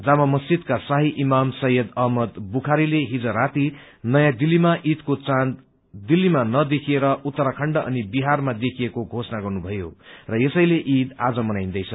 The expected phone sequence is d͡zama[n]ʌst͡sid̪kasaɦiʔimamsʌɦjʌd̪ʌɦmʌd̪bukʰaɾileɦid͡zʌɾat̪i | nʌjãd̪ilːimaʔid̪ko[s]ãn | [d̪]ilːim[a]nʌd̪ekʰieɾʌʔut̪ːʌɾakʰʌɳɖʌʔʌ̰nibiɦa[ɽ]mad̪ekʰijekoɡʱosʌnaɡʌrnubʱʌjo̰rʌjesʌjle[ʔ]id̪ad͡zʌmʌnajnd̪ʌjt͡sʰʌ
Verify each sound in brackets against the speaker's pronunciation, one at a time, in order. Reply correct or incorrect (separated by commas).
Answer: incorrect, incorrect, correct, correct, incorrect, correct